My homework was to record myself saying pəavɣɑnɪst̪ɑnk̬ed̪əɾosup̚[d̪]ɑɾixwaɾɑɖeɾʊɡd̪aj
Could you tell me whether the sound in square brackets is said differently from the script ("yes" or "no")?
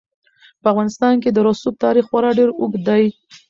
yes